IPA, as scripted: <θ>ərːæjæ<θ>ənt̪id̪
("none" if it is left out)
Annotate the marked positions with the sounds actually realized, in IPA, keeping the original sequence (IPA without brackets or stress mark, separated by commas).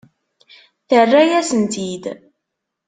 θ, s